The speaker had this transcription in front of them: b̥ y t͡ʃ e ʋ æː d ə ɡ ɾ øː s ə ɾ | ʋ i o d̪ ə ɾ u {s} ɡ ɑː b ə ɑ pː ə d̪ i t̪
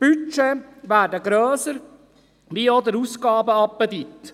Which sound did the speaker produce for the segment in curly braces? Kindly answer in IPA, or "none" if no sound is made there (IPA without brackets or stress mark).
s